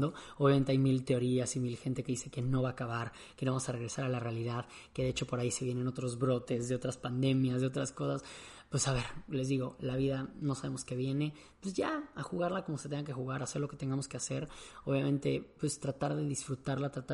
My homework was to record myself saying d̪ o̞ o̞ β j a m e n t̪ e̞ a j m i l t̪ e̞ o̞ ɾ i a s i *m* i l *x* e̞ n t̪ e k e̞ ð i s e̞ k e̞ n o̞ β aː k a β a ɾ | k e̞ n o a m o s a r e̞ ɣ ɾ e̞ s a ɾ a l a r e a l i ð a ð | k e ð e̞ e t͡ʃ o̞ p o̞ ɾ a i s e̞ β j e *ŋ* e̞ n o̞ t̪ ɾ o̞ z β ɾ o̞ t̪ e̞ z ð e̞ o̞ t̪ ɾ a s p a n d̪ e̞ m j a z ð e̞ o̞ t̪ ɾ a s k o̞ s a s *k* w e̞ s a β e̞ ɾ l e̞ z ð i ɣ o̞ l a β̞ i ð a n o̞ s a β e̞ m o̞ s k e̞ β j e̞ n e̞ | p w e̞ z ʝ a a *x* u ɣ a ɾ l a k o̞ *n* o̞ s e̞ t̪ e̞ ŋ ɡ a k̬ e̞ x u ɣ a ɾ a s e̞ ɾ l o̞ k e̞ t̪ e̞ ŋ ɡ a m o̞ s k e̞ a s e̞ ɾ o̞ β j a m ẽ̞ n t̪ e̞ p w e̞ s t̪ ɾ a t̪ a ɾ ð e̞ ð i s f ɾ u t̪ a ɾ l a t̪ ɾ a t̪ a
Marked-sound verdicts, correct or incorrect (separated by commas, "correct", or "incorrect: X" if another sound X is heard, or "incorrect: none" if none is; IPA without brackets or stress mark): correct, correct, incorrect: n, incorrect: p, correct, incorrect: m